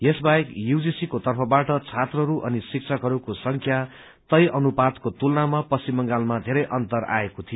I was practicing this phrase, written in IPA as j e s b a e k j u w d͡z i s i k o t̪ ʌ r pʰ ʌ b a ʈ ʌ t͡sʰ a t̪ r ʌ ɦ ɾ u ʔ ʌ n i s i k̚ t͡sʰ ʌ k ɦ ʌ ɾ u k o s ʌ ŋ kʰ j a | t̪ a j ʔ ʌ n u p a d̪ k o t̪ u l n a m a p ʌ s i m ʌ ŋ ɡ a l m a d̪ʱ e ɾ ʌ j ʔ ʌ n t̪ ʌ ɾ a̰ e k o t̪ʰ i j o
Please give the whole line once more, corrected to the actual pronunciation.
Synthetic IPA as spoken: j e s b a e k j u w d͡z i s i k o t̪ ʌ r pʰ ʌ b a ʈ ʌ t͡sʰ a t̪ r ʌ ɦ ɾ u ʔ ʌ n i s i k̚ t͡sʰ ʌ k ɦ ʌ ɾ u k o s ʌ ŋ kʰ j a | t̪ ʌ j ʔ ʌ n u p a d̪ k o t̪ u l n a m a p ʌ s i m ʌ ŋ ɡ a l m a d̪ʱ e ɾ ʌ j ʔ ʌ n t̪ ʌ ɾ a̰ e k o t̪ʰ i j o

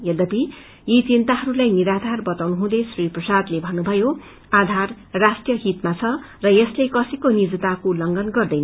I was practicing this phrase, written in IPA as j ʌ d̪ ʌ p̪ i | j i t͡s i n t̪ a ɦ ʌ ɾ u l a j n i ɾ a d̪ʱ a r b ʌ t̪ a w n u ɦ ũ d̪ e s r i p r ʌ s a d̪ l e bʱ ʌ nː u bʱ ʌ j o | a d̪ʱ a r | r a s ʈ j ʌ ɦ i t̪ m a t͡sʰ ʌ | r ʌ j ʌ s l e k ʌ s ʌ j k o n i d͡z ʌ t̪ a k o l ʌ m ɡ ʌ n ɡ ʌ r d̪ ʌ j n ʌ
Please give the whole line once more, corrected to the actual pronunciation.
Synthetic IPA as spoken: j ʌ d̪ ʌ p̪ i | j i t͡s i n t̪ a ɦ ʌ ɾ u l a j n i ɾ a d̪ʱ a r b ʌ t̪ a w n u ɦ ũ d̪ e s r i p r ʌ s a d̪ l e bʱ ʌ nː u bʱ ʌ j o | a d̪ʱ a r | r a s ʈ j ʌ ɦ i t̪ m a t͡sʰ ʌ | r ʌ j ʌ s l e k ʌ s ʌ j k o n i d͡z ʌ t̪ a k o l ʌ ŋ ɡ ʌ n ɡ ʌ r d̪ ʌ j n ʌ

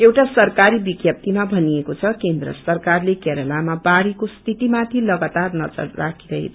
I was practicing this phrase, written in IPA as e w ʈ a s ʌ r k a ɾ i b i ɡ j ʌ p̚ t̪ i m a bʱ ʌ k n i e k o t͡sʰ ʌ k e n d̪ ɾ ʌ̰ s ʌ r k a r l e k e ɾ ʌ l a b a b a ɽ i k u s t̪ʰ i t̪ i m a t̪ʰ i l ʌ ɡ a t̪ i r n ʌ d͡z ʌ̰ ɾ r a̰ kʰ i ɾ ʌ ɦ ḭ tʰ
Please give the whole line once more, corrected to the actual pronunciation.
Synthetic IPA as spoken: e w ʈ a s ʌ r k a ɾ i b i ɡ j ʌ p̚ t̪ i m a bʱ ʌ n i e k o t͡sʰ ʌ k e n d̪ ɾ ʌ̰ s ʌ r k a r l e k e ɾ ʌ l a m a b a ɽ i k o s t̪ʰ i t̪ i m a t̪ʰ i l ʌ ɡ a t̪ a r n ʌ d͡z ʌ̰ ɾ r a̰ kʰ i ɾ ʌ ɦ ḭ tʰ

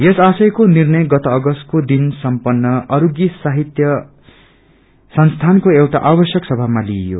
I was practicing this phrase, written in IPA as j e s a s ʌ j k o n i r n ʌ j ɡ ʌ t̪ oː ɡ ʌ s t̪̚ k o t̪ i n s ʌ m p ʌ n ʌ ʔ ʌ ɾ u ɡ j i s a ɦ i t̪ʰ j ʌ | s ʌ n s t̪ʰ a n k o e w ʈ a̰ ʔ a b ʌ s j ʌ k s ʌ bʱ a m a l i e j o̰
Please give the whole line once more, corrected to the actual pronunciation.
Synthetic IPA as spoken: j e s a s ʌ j k o n i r n ʌ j ɡ ʌ t̪ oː ɡ ʌ s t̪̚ k o d̪ i n s ʌ m p ʌ nː ʌ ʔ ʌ ɾ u ɡ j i s a ɦ i t̪ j ʌ | s ʌ n s t̪ʰ a n k o e w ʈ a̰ ʔ a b ʌ s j ʌ k s ʌ bʱ a m a l i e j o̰

